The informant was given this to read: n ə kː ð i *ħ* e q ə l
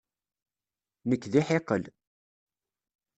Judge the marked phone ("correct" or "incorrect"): correct